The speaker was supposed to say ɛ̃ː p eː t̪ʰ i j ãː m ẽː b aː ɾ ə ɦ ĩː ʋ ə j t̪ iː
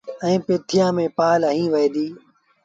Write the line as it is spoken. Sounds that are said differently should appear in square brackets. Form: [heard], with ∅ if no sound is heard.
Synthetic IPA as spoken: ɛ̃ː p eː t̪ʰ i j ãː m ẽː [p] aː [l] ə ɦ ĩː ʋ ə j [d̪] iː